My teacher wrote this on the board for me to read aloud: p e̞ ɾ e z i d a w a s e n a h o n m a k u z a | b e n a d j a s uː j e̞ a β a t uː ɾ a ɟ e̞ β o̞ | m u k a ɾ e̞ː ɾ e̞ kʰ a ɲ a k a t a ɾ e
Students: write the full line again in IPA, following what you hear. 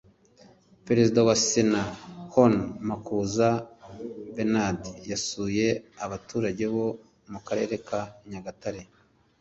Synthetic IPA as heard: p e̞ ɾ e z i d a w a s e n a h o n m a k u z a | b e n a d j a s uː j e̞ a β a t uː ɾ a ɟ e̞ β o̞ | m u k a ɾ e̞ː ɾ e̞ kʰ a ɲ a ɡ a t a ɾ e